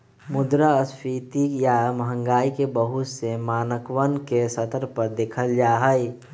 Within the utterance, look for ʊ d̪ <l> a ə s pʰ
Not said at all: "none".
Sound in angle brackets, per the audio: ɾ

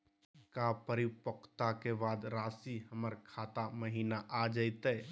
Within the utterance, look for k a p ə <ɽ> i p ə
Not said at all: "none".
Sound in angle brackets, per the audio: ɾ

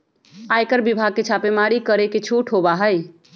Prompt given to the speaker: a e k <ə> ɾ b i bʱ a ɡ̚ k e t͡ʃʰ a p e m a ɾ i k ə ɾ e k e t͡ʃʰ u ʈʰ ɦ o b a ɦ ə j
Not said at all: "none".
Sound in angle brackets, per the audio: ə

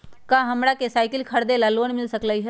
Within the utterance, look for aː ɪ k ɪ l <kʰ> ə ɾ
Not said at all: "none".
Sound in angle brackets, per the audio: kʰ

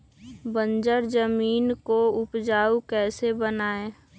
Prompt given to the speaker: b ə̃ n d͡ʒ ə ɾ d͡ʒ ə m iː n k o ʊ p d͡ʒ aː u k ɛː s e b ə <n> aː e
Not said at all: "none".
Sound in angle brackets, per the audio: n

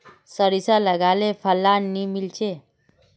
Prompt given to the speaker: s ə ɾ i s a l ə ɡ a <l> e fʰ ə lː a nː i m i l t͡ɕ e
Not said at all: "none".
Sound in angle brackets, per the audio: l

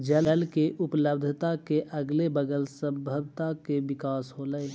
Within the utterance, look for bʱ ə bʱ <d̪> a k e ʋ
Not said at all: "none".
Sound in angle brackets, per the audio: t̪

